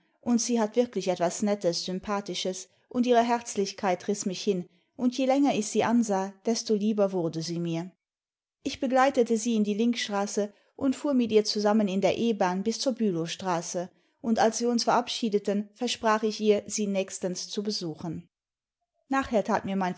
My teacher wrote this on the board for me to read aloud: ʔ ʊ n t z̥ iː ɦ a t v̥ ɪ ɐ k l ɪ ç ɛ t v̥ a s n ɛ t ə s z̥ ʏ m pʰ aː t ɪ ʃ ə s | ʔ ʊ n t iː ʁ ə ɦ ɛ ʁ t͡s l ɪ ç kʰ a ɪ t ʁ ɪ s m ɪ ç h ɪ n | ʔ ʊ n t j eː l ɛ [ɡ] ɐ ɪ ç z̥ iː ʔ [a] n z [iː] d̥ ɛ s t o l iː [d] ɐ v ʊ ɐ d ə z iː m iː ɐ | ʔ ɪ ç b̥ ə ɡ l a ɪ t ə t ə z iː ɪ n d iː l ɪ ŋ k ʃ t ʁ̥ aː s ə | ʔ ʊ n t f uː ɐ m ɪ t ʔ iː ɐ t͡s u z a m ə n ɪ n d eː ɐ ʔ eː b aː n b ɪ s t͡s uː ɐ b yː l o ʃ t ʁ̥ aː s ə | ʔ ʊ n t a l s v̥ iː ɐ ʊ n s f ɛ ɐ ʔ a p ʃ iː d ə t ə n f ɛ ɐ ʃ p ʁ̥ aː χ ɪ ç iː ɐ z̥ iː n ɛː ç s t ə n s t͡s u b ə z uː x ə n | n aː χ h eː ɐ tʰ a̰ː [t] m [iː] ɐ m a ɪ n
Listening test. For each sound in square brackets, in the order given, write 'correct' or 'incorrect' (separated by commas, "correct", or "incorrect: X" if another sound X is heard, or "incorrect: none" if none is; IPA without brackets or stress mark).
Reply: incorrect: ŋ, correct, incorrect: aː, incorrect: b, correct, correct